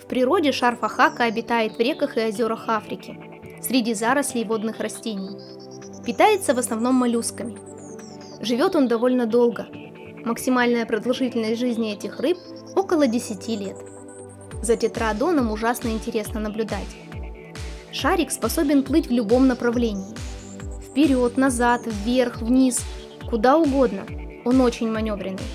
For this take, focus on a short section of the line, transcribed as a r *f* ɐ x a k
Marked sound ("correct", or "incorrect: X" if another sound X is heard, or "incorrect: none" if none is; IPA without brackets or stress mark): correct